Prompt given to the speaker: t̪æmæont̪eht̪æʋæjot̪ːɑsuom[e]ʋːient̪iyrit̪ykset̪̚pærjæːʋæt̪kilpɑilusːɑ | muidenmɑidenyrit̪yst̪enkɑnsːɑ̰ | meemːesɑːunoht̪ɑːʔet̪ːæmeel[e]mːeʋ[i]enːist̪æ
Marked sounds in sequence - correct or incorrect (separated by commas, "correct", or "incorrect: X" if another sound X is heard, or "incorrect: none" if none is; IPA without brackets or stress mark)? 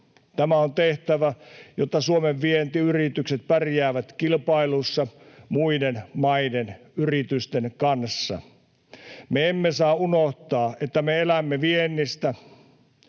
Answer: correct, incorrect: æ, correct